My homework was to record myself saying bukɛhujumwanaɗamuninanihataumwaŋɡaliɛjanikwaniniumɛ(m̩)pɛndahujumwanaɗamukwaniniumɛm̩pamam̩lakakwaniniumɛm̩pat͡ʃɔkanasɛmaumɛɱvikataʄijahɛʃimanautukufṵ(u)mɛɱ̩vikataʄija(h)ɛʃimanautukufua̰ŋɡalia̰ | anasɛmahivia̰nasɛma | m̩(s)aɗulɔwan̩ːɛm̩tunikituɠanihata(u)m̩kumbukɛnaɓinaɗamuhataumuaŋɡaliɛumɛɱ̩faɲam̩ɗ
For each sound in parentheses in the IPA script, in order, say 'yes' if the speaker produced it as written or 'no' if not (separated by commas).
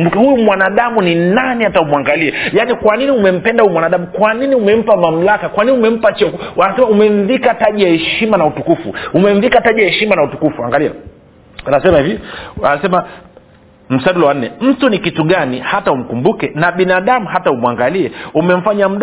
yes, yes, yes, yes, yes